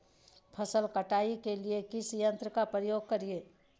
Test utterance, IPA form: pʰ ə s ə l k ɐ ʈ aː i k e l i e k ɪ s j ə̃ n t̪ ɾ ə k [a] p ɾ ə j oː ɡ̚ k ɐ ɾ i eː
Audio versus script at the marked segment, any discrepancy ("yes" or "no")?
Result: no